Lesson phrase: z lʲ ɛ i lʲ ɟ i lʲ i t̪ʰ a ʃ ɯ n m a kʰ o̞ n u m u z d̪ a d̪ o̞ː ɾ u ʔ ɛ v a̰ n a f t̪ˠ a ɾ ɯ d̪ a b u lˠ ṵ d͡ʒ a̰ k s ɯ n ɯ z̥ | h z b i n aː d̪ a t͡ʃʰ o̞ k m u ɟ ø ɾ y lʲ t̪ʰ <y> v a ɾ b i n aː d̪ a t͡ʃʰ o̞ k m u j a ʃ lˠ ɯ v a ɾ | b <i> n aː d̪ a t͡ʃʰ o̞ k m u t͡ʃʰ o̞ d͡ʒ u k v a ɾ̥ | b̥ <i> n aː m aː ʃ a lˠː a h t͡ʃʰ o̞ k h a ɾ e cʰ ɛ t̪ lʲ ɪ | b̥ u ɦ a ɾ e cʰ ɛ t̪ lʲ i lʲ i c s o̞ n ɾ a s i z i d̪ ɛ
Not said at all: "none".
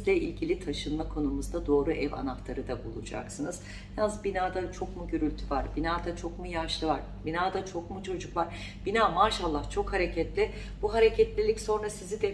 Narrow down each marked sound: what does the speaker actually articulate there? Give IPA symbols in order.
y, i, i

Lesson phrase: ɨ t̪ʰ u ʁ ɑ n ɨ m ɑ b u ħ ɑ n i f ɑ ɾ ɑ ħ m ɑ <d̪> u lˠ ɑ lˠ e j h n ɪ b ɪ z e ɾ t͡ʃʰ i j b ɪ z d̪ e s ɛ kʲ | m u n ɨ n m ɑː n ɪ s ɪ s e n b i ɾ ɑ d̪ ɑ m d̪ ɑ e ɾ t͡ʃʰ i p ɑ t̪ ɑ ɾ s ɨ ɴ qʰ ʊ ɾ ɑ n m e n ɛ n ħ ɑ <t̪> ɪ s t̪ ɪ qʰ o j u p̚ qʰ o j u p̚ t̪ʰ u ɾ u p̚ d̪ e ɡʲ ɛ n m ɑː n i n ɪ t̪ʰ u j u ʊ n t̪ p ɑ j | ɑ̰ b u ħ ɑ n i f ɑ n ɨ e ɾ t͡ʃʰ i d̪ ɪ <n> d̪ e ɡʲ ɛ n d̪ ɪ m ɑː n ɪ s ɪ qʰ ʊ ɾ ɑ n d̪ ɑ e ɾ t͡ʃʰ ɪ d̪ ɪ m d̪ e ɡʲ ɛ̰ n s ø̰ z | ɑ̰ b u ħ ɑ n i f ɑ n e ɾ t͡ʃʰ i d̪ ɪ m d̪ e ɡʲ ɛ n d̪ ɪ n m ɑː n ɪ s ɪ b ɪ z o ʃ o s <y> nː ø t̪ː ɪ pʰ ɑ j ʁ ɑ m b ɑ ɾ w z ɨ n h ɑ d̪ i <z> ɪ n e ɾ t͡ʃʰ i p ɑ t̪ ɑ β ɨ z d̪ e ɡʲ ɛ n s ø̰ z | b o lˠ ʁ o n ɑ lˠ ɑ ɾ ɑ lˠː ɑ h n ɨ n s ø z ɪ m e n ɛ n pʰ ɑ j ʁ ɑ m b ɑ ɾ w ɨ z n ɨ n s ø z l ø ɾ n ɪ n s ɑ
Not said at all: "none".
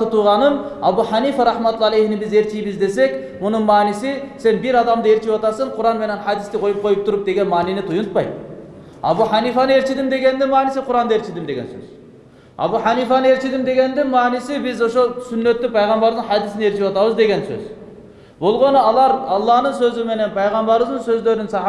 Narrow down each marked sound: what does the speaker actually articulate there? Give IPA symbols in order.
t̪, d̪, m, y, s

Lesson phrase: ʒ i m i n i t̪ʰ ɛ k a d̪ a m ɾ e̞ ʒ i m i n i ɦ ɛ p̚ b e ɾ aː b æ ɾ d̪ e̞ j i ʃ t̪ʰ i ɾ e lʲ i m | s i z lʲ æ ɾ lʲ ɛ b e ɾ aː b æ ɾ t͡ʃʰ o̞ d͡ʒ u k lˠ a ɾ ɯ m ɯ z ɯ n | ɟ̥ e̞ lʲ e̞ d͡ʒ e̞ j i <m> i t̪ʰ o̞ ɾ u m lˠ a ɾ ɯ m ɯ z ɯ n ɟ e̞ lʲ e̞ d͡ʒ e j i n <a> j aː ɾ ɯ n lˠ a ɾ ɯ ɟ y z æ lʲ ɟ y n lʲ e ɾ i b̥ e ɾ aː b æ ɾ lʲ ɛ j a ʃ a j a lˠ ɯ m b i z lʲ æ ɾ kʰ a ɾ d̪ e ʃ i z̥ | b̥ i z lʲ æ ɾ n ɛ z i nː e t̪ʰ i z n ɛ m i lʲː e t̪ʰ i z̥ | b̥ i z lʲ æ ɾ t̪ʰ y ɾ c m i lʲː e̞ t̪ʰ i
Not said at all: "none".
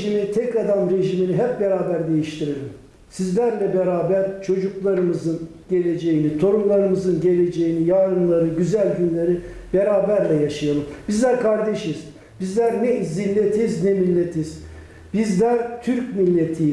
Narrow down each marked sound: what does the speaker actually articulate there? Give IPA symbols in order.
n, i

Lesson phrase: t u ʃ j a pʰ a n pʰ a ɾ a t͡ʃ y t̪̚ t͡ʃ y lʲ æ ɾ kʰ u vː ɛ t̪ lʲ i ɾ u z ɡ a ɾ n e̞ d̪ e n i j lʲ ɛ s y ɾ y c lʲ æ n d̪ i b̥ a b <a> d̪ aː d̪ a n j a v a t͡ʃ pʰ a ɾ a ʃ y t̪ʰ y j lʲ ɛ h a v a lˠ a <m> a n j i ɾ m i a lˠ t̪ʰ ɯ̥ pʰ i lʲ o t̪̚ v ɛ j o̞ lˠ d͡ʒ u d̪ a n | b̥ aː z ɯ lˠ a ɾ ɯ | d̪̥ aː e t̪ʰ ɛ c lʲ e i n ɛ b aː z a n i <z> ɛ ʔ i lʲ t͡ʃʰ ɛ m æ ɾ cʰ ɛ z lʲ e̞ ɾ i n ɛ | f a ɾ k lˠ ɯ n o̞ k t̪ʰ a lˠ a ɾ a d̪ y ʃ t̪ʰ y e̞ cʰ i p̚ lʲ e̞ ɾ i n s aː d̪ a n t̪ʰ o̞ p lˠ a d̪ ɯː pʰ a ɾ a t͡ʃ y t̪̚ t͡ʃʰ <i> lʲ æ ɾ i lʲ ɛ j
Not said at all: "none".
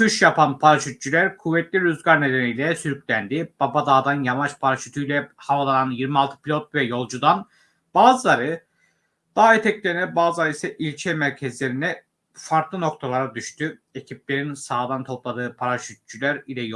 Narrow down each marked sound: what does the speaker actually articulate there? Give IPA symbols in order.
a, n, s, y

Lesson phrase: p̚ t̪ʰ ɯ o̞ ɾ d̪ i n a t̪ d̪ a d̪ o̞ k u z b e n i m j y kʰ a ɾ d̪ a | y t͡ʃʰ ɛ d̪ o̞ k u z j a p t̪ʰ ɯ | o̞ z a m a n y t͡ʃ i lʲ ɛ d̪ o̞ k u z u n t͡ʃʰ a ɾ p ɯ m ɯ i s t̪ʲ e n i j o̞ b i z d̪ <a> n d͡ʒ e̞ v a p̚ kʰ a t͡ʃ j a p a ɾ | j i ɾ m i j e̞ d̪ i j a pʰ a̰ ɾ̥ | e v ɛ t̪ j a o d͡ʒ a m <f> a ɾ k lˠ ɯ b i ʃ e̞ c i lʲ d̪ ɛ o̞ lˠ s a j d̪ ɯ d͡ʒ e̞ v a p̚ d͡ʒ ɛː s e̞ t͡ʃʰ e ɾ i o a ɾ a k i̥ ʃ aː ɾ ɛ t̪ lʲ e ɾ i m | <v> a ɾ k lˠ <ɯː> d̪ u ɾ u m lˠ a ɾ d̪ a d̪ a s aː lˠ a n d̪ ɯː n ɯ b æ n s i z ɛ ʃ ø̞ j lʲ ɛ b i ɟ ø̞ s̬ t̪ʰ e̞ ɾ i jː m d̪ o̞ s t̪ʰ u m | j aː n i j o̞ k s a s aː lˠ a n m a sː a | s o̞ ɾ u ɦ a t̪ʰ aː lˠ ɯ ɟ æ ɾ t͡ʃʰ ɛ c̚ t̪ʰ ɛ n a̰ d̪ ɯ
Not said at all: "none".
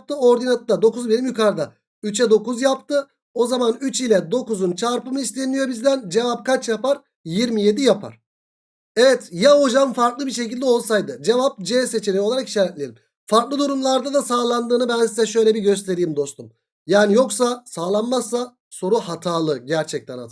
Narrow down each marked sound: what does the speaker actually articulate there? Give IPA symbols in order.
æ, f, f, ɯ

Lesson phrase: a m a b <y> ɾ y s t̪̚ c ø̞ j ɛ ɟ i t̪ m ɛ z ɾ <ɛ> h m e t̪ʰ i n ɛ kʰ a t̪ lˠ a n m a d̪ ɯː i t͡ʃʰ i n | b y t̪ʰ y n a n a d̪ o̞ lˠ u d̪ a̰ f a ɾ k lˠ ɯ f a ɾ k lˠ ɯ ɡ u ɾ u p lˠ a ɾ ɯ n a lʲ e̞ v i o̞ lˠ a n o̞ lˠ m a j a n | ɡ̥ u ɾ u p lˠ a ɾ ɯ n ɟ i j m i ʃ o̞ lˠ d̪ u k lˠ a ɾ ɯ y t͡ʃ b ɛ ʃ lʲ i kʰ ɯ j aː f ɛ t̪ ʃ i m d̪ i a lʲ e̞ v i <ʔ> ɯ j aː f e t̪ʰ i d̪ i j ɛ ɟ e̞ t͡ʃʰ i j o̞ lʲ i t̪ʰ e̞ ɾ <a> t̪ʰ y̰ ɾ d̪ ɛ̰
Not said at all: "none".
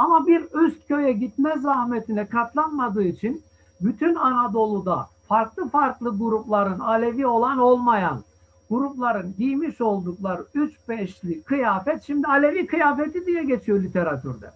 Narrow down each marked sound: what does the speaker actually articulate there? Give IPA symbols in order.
i, a, k, a

